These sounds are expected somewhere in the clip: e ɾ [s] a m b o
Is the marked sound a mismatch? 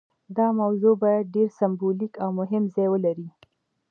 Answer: no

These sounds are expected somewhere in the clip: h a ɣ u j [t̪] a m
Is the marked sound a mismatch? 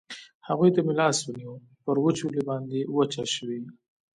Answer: no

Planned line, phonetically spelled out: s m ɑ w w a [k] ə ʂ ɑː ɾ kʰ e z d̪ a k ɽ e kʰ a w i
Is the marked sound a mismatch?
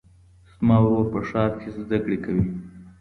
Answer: yes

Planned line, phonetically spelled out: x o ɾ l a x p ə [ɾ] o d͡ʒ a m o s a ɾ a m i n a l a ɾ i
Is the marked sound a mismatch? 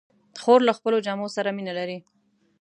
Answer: yes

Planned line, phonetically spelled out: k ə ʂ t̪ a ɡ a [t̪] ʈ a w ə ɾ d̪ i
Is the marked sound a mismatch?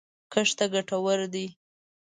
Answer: yes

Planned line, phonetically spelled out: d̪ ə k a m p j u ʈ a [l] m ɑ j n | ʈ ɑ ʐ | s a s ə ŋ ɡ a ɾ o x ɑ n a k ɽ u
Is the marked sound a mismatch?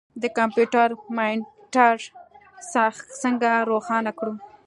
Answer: yes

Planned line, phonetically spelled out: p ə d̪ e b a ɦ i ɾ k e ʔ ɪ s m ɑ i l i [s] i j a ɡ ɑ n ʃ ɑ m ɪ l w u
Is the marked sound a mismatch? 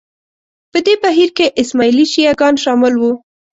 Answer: yes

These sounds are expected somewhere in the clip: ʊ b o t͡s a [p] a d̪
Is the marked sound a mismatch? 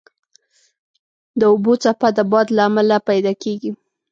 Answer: no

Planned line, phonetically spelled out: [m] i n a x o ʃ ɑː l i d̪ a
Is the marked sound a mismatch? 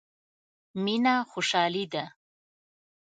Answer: no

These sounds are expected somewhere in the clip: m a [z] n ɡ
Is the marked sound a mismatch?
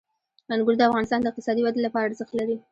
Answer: yes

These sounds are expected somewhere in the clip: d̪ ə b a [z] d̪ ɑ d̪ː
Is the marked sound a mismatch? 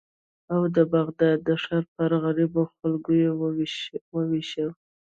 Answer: yes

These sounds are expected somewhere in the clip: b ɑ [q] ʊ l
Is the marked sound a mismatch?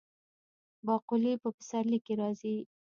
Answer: no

